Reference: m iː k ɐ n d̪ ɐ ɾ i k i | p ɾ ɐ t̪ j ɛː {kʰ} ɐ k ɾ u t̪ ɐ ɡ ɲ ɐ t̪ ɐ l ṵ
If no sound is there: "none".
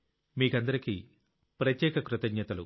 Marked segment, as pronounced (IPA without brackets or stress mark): k